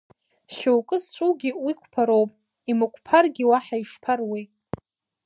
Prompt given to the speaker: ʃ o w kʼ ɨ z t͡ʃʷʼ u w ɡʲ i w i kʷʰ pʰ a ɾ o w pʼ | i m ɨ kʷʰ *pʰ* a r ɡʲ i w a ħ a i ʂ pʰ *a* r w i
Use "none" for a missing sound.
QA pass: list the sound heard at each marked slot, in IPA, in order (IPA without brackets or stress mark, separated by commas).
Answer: pʰ, a